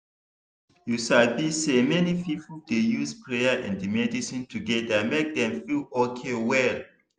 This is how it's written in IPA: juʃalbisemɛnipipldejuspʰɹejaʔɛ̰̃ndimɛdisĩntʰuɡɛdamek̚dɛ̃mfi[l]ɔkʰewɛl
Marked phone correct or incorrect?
correct